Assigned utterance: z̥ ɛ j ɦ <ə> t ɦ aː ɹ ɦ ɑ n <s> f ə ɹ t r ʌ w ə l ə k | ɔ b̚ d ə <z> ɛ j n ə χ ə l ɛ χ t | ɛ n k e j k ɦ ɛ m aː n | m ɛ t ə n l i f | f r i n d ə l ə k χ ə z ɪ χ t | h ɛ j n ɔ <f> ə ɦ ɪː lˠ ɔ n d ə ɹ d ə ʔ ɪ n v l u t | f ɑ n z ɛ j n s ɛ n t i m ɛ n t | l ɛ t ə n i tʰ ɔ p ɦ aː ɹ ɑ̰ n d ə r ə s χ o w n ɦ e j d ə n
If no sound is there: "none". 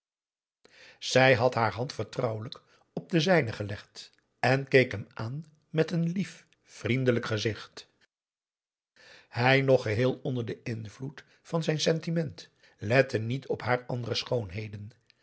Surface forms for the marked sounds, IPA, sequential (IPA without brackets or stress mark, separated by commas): ɑ, t, z, χ